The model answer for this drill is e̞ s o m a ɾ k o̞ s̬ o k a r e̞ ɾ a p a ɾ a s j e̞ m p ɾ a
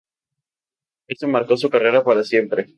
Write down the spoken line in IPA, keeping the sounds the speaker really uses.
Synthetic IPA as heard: e̞ s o m a ɾ k o̞ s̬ u k a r e̞ ɾ a p a ɾ a s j e̞ m p ɾ e

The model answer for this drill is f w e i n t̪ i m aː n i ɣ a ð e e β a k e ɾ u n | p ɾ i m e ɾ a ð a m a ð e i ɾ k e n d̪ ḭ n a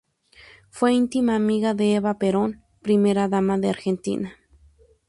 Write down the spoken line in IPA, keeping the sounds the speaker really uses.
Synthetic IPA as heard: f w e i n t̪ i m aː m i ɣ a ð e e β a p e ɾ o n | p ɾ i m e ɾ a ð a m a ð e a ɾ x e n t̪ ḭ n a

